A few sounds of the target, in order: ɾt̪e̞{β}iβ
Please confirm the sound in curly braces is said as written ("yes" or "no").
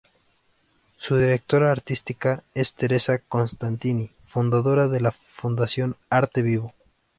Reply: yes